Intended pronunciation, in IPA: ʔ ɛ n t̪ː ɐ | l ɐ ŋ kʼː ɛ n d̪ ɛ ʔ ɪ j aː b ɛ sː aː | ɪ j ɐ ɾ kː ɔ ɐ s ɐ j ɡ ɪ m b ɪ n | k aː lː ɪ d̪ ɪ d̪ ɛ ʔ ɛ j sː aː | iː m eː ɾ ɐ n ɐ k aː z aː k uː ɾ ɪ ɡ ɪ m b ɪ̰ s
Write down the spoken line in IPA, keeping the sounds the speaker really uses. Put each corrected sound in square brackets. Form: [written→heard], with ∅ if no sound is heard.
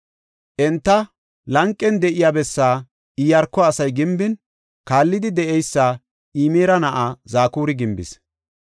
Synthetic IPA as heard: ʔ ɛ n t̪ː ɐ | l ɐ ŋ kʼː ɛ n d̪ ɛ ʔ ɪ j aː b ɛ sː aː | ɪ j ɐ ɾ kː ɔ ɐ s ɐ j ɡ ɪ m b ɪ n | k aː lː ɪ d̪ ɪ d̪ ɛ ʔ ɛ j sː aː | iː m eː ɾ ɐ n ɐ [k→ʔ] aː z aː k uː ɾ ɪ ɡ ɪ m b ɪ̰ s